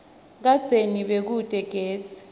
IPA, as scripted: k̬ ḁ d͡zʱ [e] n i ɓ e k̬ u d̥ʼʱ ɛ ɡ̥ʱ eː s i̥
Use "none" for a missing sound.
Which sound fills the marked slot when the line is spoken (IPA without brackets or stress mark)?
e